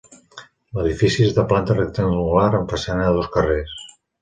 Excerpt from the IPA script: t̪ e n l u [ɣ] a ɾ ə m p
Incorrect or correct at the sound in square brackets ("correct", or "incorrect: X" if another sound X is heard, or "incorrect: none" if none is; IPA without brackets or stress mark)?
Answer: correct